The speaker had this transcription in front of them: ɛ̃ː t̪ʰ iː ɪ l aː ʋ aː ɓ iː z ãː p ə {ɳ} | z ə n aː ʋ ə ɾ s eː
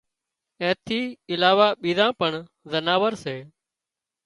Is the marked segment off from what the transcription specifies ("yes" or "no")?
no